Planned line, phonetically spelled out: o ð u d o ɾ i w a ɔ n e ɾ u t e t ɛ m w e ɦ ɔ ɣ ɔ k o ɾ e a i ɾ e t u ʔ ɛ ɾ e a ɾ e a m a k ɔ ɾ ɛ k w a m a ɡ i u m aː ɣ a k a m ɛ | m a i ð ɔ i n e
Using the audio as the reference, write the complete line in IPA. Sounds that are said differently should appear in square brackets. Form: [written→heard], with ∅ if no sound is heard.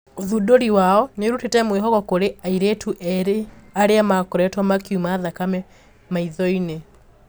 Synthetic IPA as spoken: o ð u d o ɾ i w a ɔ n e ɾ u t e t ɛ m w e ɦ ɔ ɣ ɔ k o ɾ e a i ɾ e t u ʔ ɛ ɾ e a ɾ e a m a k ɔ ɾ ɛ [k→t] w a m a [ɡ→k] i u m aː [ɣ→ð] a k a m ɛ | m a i ð ɔ i n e